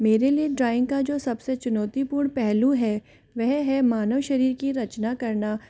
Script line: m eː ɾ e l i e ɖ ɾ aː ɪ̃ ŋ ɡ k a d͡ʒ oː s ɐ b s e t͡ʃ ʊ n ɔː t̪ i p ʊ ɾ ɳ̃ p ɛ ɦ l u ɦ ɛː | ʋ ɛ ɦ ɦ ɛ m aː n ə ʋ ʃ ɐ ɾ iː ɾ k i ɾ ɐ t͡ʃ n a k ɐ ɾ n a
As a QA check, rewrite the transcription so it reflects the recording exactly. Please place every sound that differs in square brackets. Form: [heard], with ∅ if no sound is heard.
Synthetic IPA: m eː ɾ e l i e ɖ ɾ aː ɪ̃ ŋ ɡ k a d͡ʒ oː s ɐ b s e t͡ʃ ʊ n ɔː t̪ i p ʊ ɾ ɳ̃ p ɛ ɦ l u ɦ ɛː | ʋ ɛ ɦ ɦ ɛ m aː n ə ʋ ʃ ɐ ɾ iː ɾ k i ɾ ɐ t͡ʃ n a k ɐ ɾ n a